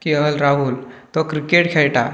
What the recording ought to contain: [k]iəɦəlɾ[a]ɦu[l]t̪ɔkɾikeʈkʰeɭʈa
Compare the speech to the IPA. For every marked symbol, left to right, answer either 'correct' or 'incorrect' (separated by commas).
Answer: correct, correct, correct